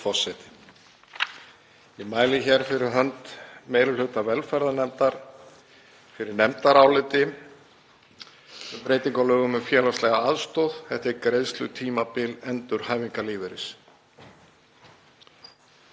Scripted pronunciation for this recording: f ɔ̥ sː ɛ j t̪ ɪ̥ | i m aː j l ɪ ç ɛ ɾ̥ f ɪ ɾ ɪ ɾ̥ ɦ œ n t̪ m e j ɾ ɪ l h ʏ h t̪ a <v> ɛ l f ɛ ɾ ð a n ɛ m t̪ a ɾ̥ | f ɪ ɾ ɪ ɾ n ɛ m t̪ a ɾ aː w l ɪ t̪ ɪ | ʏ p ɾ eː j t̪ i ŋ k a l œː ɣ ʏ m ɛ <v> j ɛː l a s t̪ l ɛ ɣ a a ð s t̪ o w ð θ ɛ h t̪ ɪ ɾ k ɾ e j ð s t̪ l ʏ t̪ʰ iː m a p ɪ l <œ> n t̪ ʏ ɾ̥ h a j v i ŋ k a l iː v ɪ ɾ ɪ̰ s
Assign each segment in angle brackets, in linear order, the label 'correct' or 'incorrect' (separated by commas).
correct, incorrect, incorrect